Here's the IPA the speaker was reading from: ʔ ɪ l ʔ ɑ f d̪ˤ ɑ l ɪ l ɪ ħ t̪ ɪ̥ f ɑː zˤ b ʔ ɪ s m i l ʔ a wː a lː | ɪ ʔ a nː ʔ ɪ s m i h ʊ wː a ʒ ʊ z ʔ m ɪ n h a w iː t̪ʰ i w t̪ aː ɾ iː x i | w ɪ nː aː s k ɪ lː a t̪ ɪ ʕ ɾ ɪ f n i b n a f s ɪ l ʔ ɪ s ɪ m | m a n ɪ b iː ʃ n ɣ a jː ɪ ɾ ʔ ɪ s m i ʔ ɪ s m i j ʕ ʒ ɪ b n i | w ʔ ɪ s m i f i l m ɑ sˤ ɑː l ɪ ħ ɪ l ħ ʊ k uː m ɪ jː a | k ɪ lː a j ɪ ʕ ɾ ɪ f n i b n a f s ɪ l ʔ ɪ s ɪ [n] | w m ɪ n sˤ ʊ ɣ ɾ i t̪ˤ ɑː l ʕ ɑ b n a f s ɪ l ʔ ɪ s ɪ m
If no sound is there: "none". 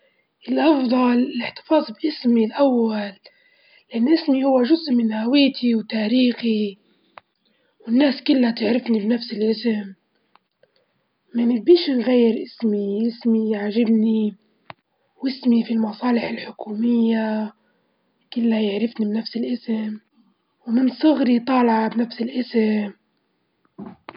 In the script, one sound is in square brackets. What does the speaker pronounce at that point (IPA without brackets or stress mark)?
m